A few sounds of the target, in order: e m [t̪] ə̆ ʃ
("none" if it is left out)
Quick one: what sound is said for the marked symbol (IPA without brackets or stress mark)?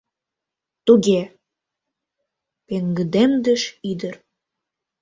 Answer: d̪